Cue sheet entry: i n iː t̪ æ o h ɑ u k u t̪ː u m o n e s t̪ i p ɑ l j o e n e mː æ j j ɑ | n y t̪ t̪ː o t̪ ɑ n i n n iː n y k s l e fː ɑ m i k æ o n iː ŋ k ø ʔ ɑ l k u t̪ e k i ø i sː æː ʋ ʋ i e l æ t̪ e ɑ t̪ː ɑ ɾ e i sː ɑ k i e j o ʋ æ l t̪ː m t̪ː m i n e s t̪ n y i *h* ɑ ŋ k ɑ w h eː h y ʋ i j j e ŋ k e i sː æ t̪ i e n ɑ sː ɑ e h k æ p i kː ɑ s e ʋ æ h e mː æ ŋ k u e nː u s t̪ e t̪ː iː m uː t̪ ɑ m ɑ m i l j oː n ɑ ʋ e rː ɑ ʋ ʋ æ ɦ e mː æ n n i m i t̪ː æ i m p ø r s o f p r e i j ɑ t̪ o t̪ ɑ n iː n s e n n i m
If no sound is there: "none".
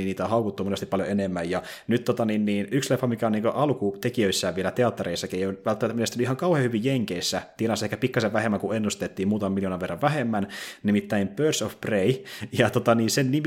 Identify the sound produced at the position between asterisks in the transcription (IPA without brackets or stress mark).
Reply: h